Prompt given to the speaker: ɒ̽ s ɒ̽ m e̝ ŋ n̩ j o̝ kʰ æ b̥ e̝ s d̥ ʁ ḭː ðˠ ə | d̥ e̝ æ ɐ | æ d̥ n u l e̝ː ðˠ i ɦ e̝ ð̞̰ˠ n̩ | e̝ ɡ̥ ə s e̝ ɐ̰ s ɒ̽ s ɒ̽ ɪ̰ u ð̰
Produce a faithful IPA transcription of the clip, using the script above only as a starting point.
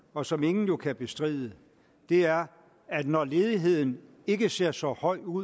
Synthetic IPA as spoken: ɒ̽ s ɒ̽ m e̝ ŋ n̩ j o̝ kʰ æ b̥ e̝ s d̥ ʁ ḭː ðˠ ə | d̥ e̝ æ ɐ | æ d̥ n ɒ l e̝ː ðˠ i ɦ e̝ ð̞̰ˠ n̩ | e̝ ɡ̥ ə s e̝ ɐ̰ s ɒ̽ h ɒ̽ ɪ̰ u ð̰